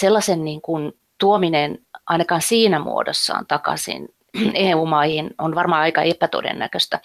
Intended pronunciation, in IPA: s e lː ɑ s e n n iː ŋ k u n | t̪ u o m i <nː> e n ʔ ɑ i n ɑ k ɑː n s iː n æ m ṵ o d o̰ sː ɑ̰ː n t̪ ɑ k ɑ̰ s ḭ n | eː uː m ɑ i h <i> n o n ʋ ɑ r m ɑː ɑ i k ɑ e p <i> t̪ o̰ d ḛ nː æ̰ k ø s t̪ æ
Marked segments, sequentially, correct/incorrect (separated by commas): incorrect, correct, incorrect